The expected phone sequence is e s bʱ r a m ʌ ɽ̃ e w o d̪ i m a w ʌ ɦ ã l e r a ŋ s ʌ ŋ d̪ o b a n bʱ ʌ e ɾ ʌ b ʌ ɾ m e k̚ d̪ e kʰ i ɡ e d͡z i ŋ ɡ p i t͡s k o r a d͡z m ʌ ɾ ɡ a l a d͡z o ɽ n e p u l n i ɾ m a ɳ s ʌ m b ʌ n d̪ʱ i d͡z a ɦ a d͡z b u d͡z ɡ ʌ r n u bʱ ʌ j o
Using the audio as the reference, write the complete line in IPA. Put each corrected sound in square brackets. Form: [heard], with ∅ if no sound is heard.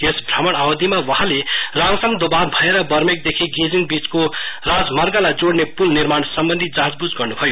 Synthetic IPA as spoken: e s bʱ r a m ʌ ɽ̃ [a] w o d̪ i m a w ʌ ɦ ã l e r a ŋ s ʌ ŋ d̪ o b a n bʱ ʌ e ɾ ʌ b ʌ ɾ m e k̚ d̪ e kʰ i ɡ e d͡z i ŋ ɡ [b] i t͡s k o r a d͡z m ʌ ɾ ɡ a l a d͡z o ɽ n e p u l n i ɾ m a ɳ s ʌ m b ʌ n d̪ʱ i d͡z a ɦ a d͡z b u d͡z ɡ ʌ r n u bʱ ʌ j o